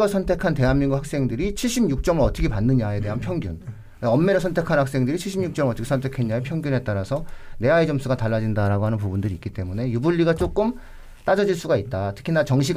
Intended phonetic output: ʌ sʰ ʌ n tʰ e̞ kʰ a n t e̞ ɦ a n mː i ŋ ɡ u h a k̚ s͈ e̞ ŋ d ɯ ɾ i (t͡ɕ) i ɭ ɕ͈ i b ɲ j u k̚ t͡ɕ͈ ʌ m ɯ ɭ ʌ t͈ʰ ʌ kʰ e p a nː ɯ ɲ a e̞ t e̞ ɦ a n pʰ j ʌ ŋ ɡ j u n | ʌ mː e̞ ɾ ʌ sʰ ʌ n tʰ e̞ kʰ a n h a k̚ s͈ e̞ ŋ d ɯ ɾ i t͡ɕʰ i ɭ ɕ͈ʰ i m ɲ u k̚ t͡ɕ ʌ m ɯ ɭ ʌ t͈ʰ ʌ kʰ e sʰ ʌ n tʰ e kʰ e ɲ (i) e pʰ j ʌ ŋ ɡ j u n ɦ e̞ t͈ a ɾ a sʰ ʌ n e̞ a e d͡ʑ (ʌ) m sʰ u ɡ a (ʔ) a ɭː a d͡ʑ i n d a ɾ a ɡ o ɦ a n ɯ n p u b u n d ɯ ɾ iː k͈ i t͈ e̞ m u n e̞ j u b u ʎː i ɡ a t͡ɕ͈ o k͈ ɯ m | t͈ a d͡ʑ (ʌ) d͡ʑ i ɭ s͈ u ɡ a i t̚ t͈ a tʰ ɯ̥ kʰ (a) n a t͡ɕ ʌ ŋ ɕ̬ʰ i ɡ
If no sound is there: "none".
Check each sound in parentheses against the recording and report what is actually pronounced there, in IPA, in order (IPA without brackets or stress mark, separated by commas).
t͡ɕʰ, a, ʌ, t, ʌ, i